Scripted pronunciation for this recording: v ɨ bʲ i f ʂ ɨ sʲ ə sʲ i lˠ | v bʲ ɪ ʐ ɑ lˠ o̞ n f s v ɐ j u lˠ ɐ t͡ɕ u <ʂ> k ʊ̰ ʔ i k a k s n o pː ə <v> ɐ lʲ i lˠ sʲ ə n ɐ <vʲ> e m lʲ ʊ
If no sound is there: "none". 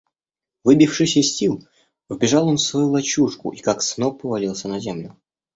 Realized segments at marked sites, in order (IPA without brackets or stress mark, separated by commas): ʂ, v, zʲ